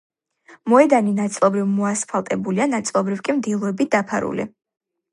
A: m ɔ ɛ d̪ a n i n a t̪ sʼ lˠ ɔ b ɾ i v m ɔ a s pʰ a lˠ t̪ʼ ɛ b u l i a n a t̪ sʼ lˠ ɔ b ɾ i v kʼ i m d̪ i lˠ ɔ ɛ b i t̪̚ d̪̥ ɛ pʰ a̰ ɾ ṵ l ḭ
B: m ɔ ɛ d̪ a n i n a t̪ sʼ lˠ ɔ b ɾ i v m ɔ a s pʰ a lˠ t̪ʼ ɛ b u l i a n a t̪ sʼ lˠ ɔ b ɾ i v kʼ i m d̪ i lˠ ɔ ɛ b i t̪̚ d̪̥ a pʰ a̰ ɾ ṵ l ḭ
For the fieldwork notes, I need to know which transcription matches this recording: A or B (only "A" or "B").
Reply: B